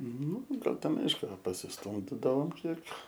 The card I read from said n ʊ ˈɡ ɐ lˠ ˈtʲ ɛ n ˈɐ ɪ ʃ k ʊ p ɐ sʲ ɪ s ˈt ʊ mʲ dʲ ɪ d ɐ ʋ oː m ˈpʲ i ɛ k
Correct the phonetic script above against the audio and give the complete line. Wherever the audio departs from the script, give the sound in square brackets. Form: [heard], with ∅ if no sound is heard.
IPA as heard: n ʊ ˈɡ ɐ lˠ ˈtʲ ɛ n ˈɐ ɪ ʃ k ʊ p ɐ sʲ ɪ s ˈt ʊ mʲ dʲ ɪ d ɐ ʋ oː m [ˈkʲ] i ɛ k